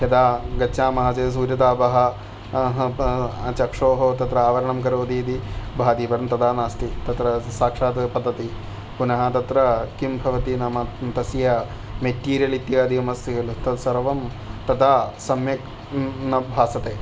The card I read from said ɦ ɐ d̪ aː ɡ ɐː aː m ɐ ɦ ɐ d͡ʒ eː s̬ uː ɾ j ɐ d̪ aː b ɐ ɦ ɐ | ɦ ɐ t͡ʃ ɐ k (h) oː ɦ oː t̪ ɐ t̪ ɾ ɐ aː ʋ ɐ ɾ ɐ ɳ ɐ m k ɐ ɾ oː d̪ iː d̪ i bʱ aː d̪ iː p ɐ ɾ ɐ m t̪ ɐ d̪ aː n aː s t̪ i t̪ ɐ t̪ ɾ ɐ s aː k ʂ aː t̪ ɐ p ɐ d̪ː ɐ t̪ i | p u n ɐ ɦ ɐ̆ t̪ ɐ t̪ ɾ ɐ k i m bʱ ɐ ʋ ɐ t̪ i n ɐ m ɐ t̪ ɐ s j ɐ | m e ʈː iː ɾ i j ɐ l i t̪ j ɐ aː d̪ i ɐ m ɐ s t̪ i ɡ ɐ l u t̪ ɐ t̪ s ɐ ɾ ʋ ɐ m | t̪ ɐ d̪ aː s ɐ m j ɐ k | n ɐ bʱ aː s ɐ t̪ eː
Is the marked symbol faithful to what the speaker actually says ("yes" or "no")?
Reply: no